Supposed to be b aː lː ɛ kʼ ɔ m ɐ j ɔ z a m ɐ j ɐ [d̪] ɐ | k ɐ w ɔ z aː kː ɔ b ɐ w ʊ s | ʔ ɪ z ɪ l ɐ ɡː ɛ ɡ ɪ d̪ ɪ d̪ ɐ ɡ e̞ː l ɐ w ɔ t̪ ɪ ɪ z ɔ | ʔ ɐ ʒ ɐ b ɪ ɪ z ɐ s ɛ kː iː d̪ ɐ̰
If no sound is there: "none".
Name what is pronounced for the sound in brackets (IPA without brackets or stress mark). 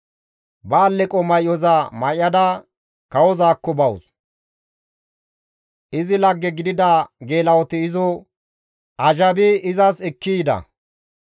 d̪